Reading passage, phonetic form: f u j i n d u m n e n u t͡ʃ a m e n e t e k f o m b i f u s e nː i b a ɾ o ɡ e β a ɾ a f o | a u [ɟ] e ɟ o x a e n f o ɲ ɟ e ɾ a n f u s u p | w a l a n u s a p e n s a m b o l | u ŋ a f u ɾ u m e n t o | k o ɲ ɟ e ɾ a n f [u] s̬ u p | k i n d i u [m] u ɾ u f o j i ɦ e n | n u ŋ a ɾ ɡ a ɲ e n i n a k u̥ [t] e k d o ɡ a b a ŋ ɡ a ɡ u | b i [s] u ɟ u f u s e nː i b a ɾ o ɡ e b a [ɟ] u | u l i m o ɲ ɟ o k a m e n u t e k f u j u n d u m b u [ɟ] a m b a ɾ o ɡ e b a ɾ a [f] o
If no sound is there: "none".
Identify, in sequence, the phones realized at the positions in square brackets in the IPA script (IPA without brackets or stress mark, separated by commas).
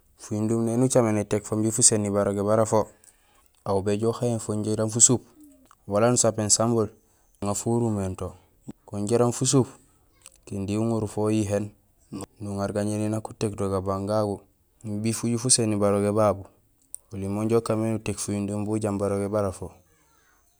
b, u, ŋ, t, f, b, ɟ, f